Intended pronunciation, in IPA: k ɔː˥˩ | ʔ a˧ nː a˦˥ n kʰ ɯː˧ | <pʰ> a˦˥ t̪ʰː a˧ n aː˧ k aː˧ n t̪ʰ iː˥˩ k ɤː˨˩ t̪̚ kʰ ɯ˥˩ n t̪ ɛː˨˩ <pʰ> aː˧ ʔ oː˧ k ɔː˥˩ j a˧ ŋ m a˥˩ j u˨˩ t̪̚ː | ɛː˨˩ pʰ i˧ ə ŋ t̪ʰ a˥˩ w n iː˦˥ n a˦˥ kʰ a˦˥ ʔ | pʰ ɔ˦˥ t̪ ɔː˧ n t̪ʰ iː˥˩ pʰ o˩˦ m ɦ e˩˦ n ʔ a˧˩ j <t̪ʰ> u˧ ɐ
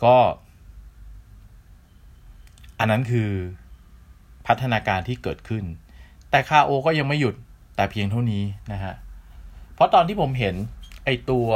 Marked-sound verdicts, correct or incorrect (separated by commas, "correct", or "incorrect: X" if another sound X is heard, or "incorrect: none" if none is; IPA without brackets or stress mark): correct, incorrect: kʰ, incorrect: t̪